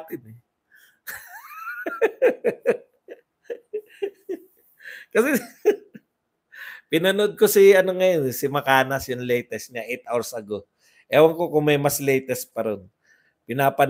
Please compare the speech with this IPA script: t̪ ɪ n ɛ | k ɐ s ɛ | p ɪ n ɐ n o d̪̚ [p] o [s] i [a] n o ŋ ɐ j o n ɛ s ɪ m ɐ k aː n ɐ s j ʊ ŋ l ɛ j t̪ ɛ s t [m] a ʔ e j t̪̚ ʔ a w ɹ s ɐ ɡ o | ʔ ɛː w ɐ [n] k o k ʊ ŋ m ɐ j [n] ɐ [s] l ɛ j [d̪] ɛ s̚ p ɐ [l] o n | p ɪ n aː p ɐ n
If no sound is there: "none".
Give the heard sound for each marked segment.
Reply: k, s, ɐ, ɲ, ŋ, m, s, t̪, ɾ

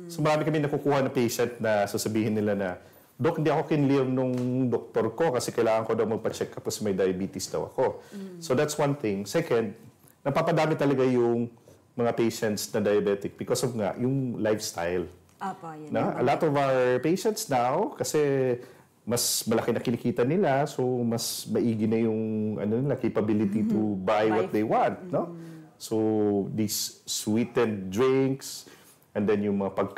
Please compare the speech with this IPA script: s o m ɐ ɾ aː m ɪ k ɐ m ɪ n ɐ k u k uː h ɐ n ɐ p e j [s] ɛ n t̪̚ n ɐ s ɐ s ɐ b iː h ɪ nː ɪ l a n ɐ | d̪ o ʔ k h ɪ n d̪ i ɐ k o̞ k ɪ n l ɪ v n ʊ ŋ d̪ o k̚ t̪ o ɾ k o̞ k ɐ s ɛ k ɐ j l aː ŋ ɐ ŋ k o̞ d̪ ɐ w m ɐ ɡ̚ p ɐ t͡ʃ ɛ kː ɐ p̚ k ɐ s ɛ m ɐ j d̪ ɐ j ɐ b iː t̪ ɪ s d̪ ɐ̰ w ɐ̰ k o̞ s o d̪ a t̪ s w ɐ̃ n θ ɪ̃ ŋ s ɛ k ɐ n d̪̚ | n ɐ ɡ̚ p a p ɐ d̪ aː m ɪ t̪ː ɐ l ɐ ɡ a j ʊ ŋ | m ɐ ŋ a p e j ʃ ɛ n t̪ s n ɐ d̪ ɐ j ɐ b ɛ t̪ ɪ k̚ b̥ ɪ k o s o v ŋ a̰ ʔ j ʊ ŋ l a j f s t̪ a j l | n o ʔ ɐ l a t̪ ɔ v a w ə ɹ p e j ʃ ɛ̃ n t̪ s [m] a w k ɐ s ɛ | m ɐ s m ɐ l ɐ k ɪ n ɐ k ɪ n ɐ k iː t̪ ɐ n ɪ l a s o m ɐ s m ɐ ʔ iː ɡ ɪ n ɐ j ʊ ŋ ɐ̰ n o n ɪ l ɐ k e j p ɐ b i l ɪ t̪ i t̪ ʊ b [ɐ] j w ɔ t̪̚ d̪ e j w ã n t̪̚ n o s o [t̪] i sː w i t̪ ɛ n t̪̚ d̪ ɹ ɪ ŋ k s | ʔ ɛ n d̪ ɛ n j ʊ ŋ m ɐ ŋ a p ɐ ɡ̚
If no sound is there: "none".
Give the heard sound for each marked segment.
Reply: ʃ, n, a, d̪

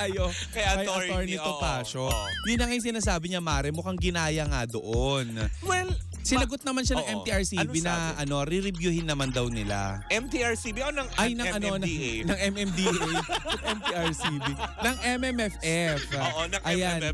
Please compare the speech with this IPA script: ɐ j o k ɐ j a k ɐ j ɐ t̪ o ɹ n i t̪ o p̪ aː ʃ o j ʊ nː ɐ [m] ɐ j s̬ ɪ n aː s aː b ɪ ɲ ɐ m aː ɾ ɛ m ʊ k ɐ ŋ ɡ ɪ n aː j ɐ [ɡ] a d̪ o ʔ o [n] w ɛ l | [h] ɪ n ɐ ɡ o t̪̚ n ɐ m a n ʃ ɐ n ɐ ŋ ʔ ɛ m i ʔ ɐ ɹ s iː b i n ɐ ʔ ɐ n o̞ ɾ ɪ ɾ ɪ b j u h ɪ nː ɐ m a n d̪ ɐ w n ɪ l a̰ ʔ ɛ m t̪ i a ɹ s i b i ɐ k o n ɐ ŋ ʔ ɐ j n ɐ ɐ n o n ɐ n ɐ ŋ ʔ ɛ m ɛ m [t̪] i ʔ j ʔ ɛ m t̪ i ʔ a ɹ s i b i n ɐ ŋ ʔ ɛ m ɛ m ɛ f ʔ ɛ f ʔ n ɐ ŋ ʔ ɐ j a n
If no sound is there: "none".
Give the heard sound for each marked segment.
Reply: ŋ, ŋ, n, s, d̪

